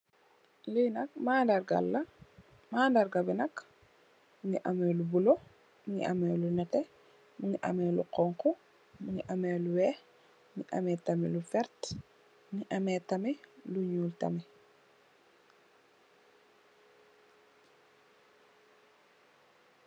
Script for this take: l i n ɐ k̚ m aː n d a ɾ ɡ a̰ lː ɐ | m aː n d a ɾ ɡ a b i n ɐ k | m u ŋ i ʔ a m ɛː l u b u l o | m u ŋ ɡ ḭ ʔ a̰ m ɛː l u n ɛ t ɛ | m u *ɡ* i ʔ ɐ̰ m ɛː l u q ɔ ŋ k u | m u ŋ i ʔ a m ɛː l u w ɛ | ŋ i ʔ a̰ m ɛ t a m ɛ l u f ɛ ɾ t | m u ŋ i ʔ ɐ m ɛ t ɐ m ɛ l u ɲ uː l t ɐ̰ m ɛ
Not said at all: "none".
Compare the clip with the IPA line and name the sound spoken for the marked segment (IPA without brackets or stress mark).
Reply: ŋ